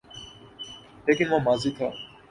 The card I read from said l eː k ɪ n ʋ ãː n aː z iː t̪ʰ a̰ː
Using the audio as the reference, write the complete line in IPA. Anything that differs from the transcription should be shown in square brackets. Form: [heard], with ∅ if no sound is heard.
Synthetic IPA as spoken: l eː k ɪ n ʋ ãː [m] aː z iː t̪ʰ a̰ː